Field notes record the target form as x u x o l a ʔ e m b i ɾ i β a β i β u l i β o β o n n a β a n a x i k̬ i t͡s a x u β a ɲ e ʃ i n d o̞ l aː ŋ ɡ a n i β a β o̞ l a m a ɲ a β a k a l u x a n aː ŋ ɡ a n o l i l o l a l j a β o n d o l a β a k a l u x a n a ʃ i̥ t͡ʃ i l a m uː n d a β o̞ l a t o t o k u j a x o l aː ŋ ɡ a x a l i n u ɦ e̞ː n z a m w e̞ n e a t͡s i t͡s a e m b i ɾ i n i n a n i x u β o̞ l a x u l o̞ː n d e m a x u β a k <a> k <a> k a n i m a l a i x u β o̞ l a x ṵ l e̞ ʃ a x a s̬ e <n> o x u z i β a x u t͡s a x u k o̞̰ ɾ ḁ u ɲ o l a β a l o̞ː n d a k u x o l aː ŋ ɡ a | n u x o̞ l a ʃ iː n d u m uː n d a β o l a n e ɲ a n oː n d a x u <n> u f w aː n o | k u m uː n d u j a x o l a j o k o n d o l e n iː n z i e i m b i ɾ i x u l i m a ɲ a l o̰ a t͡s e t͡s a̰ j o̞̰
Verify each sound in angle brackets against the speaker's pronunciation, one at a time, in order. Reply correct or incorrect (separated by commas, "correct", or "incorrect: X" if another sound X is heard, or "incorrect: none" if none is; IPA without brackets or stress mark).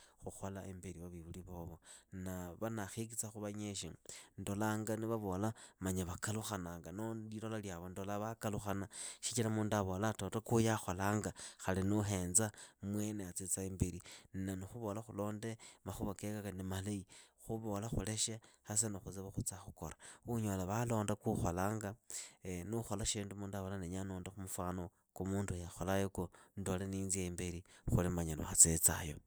incorrect: e, correct, correct, incorrect: m